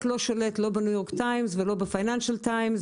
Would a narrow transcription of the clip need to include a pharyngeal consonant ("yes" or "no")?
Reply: no